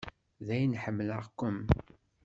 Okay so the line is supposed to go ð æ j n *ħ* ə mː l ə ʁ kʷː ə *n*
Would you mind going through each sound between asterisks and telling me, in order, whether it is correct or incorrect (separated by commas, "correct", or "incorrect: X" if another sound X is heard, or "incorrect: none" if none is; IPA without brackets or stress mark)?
correct, incorrect: m